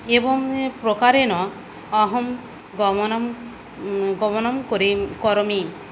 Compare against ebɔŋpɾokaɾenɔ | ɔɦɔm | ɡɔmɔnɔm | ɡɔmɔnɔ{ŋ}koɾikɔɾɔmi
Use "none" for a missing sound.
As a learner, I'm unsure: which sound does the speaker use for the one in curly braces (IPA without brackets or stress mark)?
m